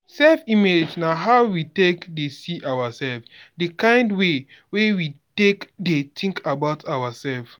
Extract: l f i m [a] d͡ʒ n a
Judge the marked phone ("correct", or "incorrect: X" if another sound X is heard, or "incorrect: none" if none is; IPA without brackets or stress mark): incorrect: e